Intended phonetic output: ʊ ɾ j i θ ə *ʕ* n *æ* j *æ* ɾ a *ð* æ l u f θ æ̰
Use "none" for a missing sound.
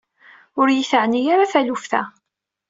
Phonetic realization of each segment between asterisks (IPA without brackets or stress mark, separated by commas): ʕ, i, a, θ